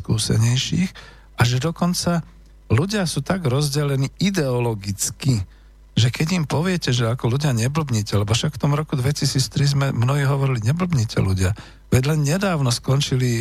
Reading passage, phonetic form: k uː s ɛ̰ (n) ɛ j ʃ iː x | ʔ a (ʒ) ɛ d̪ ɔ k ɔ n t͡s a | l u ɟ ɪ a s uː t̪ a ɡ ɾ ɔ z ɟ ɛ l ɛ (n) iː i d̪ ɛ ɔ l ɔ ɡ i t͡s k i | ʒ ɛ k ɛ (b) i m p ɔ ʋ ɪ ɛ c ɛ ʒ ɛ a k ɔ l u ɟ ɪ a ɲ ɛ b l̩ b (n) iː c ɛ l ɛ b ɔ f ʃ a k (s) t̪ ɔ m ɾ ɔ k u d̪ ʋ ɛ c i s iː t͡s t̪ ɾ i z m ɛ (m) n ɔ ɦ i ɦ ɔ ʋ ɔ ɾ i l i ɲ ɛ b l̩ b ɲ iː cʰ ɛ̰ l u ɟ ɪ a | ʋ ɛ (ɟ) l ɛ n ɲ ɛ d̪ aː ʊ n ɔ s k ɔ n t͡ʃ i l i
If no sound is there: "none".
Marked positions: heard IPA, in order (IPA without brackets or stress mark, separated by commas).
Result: ɲ, ʒ, n, ɟ, ɲ, f, m, ɟ